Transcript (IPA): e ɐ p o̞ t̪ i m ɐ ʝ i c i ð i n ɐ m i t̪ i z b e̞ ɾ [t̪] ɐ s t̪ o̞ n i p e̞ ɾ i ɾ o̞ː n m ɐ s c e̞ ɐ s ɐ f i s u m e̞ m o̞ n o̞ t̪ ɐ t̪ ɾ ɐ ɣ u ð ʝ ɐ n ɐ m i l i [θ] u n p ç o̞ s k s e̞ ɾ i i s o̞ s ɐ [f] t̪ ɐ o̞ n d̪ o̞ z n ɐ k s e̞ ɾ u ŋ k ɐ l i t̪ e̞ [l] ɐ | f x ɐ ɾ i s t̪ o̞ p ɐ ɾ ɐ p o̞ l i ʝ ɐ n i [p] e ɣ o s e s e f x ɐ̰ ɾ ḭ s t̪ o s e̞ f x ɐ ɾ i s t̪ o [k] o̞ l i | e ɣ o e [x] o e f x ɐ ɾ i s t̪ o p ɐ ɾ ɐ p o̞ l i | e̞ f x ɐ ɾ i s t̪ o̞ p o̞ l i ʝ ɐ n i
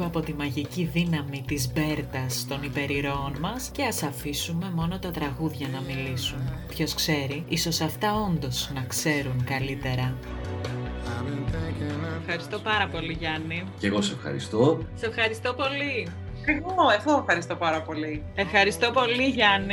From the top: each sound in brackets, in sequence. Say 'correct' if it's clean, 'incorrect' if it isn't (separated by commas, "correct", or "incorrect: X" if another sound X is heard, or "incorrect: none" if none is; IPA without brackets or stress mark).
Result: correct, incorrect: s, correct, incorrect: ɾ, incorrect: c, incorrect: p, incorrect: ɣ